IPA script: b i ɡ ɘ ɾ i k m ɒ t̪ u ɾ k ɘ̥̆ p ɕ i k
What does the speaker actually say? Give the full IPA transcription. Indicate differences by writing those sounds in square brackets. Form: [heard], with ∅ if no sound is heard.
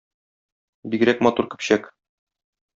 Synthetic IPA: b i ɡ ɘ ɾ [æ] k m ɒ t̪ u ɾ k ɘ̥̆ p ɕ [æ] k